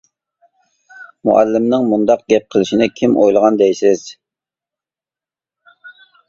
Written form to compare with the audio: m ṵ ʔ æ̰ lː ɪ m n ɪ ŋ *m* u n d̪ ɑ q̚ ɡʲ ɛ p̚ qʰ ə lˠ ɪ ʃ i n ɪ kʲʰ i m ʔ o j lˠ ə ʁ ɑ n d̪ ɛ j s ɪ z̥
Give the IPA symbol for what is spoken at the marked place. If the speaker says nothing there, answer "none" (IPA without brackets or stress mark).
m